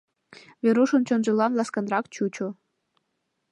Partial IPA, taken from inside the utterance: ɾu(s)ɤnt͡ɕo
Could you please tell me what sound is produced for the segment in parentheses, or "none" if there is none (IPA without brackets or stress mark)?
ʃ